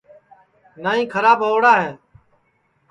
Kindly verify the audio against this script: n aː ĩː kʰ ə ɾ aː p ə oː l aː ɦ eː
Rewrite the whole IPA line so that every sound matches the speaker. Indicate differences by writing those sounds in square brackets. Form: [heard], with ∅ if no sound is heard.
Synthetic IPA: n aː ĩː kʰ ə ɾ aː [b] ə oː [ɽ] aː ɦ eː